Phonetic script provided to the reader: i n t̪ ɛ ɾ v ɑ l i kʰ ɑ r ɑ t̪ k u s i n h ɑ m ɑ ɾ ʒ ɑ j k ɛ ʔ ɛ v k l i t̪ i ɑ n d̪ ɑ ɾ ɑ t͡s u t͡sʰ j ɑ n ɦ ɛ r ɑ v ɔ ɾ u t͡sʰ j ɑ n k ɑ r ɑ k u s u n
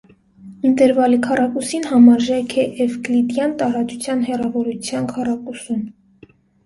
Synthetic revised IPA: i n t̪ ɛ ɾ v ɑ l i kʰ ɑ r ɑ k u s i n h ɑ m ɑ ɾ ʒ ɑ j kʰ ɛ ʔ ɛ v k l i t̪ j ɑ n t̪ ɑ ɾ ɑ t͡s u t͡sʰ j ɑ n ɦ ɛ r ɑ v ɔ ɾ u t͡sʰ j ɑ n kʰ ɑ r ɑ k u s u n